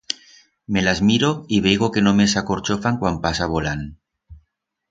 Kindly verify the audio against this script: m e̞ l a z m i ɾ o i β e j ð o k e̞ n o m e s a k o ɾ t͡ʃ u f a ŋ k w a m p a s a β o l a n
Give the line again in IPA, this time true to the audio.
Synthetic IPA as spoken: m e̞ l a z m i ɾ o i β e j ɣ o k e̞ n o m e s a k o ɾ t͡ʃ o f a ŋ k w a m p a s a β o l a n